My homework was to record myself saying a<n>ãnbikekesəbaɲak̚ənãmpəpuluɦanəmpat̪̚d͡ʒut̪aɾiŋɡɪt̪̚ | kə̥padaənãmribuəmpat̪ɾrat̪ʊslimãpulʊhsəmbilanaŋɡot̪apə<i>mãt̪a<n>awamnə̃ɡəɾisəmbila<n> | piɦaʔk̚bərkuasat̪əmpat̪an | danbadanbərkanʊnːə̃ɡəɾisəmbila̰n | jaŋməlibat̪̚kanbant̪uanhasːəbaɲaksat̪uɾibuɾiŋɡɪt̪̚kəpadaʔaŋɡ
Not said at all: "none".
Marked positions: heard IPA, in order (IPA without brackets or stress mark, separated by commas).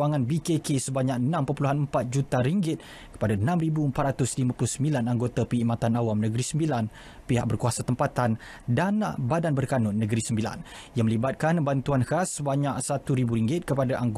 ŋ, i, n, n